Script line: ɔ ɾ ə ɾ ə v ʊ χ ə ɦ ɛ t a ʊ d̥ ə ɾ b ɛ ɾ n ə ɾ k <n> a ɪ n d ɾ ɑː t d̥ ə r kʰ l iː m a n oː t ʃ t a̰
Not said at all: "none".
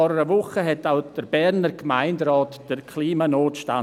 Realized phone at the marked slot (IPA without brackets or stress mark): m